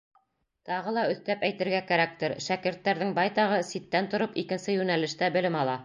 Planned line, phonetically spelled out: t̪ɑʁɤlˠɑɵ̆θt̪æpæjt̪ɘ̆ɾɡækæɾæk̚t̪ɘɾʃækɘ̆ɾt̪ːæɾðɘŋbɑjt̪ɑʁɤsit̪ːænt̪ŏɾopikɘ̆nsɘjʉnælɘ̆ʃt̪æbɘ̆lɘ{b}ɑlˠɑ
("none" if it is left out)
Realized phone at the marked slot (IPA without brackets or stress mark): m